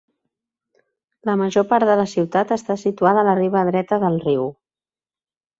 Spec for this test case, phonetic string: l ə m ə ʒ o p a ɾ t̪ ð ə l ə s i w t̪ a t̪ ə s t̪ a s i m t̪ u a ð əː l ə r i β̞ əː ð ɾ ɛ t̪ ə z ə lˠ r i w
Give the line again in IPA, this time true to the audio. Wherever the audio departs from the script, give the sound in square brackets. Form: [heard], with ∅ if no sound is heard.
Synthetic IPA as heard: l ə m ə ʒ o p a ɾ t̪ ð ə l ə s i w t̪ a t̪ ə s t̪ a s i [∅] t̪ u a ð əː l ə r i β̞ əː ð ɾ ɛ t̪ ə [ð] ə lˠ r i w